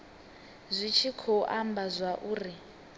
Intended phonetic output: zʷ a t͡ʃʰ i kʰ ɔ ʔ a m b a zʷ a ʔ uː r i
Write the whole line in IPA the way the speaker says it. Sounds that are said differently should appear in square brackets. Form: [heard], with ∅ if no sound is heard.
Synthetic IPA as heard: zʷ [i] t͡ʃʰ i kʰ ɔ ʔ a m b a zʷ a ʔ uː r i

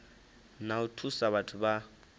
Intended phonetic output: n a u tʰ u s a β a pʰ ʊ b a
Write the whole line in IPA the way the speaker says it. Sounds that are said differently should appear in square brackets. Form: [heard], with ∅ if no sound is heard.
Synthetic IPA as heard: n a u tʰ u s a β a [tʰ] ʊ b a

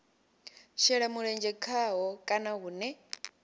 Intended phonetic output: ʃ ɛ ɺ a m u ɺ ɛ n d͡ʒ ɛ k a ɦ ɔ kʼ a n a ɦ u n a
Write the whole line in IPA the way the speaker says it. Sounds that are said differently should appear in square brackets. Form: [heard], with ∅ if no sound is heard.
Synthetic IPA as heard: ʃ ɛ ɺ a m u ɺ ɛ n d͡ʒ ɛ [kʰ] a ɦ ɔ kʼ a n a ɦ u n [ɛ]

